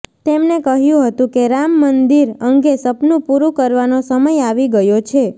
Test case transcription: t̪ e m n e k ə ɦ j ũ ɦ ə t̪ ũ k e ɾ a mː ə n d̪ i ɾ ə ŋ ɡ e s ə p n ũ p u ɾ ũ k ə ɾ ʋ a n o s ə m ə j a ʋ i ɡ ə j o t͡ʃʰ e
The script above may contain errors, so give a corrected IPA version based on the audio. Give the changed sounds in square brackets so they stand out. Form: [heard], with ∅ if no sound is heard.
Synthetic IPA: t̪ e m n e k ə ɦ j ũ ɦ ə t̪ ũ k e ɾ a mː ə n d̪ i ɾ ə ŋ ɡ e s ə p n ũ p u ɾ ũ k ə ɾ ʋ a n o s ə m ə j a ʋ i ɡ ə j o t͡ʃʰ e